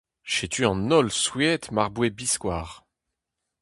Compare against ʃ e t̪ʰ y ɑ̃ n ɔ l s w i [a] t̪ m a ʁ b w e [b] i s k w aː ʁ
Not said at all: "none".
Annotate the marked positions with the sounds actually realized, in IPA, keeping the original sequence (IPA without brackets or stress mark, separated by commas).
ɛ, b